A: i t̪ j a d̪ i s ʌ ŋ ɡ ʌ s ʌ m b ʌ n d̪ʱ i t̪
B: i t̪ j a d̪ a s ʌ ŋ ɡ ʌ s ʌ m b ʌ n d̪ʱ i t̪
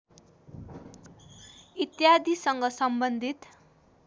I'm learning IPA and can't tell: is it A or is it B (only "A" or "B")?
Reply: A